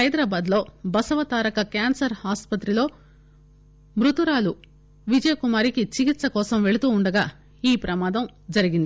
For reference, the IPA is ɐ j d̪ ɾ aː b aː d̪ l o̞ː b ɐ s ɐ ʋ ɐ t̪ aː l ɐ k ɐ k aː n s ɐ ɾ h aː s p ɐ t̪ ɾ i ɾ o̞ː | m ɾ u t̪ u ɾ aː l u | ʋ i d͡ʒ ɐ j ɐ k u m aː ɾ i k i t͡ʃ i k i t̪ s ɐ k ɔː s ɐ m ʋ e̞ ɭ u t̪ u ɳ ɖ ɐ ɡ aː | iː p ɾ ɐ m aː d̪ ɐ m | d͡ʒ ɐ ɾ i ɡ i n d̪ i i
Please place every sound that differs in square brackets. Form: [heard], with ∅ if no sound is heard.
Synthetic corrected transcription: ɐ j d̪ ɾ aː b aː d̪ l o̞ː b ɐ s ɐ ʋ ɐ t̪ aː [ɾ] ɐ k ɐ k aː n s ɐ ɾ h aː s p ɐ t̪ ɾ i [l] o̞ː | m ɾ u t̪ u ɾ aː l u | ʋ i d͡ʒ ɐ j ɐ k u m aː ɾ i k i t͡ʃ i k i t̪ s ɐ k ɔː s ɐ m ʋ e̞ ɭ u t̪ [uː] ɳ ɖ ɐ ɡ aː | iː p ɾ ɐ m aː d̪ ɐ m | d͡ʒ ɐ ɾ i ɡ i n d̪ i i